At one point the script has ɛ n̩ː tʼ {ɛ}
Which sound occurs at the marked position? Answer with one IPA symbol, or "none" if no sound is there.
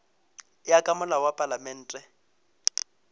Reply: ɛ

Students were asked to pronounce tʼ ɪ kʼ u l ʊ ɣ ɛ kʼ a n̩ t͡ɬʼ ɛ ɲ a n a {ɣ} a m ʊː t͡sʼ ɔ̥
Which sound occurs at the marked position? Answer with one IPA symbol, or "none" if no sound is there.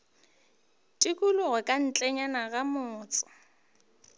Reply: ɣ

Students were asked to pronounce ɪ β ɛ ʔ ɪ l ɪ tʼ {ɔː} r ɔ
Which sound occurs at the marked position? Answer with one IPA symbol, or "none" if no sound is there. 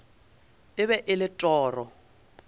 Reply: ɔː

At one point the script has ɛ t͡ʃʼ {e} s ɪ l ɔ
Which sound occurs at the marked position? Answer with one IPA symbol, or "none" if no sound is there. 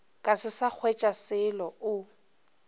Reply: a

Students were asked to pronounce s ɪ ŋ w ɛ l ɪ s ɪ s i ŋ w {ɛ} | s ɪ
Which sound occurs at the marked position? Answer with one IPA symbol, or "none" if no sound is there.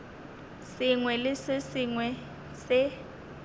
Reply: ɛ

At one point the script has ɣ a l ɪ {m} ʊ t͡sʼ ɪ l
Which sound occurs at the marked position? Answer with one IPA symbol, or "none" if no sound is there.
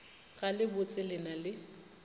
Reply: b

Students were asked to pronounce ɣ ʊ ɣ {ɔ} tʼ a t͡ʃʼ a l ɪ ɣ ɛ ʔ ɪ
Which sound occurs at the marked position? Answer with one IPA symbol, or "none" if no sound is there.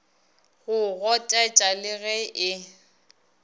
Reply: ɔ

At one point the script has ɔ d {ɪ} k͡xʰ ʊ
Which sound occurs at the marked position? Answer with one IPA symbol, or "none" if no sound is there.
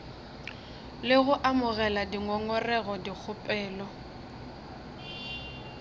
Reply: i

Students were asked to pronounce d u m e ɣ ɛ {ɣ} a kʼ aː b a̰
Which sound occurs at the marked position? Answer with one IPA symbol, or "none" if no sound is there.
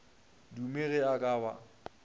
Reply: none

